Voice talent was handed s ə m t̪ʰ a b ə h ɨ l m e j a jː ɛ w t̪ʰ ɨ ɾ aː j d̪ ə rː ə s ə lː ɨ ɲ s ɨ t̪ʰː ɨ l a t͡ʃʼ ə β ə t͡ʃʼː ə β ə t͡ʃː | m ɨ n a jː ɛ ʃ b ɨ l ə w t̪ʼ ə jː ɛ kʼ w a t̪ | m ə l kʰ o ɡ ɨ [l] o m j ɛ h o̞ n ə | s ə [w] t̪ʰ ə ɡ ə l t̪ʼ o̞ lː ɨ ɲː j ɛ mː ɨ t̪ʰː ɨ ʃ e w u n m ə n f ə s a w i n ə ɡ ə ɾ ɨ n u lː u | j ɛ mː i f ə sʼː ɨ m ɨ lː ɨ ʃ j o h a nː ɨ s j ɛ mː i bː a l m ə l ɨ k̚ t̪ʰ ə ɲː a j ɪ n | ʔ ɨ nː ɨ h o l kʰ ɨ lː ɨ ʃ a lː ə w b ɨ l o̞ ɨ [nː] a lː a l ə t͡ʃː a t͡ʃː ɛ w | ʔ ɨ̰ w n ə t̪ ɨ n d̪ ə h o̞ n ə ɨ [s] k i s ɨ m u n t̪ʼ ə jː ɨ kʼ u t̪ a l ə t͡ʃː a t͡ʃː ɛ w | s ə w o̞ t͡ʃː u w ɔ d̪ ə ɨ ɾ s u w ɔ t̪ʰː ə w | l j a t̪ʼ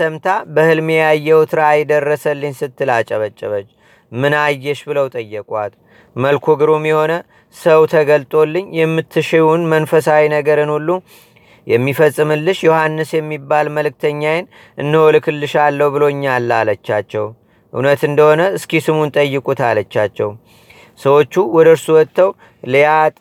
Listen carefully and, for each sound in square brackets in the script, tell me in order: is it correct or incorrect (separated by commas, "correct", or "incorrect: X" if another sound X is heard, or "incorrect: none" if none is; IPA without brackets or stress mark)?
incorrect: ɾ, correct, incorrect: ɲː, correct